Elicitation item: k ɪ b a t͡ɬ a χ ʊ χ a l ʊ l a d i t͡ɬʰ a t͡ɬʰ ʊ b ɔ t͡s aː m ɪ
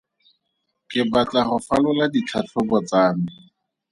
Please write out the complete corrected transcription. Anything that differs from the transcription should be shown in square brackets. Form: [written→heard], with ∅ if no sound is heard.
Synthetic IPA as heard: k ɪ b a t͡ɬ a χ ʊ [χ→f] a l ʊ l a d i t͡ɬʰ a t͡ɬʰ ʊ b ɔ t͡s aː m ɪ